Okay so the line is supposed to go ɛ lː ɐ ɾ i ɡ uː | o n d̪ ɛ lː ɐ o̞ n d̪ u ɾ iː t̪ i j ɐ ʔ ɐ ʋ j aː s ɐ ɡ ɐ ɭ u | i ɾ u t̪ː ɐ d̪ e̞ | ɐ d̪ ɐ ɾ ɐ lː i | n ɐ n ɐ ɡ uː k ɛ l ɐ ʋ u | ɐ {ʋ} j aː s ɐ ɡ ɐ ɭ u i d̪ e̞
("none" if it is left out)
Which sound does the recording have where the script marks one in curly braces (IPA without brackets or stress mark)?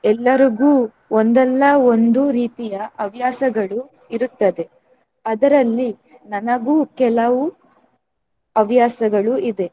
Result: ʋ